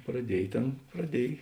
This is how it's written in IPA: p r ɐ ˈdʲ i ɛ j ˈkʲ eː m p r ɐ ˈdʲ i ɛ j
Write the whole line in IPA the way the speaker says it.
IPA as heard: p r ɐ ˈdʲ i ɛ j ˈtʲ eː n p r ɐ ˈdʲ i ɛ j